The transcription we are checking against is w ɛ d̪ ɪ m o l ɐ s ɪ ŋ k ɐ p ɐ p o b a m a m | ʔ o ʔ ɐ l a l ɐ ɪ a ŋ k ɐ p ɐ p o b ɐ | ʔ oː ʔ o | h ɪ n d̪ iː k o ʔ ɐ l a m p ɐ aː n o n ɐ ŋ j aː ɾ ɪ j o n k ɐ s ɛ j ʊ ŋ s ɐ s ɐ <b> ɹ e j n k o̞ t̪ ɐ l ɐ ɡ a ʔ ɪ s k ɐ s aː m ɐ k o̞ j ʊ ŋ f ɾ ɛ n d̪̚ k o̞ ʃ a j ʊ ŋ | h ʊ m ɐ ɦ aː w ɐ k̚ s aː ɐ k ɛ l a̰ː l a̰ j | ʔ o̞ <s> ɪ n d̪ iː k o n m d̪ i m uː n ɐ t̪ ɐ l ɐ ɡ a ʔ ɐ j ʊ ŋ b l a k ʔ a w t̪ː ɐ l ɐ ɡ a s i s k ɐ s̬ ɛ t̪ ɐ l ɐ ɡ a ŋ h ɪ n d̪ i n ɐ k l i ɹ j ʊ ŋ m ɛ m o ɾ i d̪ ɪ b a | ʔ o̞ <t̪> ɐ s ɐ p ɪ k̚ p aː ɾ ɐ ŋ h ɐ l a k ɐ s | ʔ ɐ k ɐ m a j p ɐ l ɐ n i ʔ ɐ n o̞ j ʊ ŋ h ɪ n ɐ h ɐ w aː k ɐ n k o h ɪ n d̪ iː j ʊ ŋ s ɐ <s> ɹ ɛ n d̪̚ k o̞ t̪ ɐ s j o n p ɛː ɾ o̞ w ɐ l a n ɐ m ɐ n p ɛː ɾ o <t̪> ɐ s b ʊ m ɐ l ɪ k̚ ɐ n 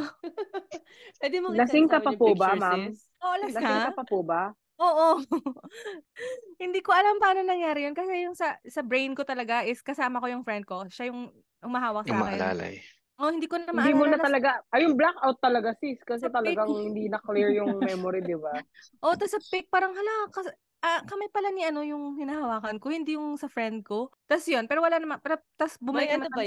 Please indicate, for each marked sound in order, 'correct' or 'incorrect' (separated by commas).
correct, incorrect, correct, incorrect, correct